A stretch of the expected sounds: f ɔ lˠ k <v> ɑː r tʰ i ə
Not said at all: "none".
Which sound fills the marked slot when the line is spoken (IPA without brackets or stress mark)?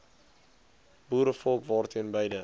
v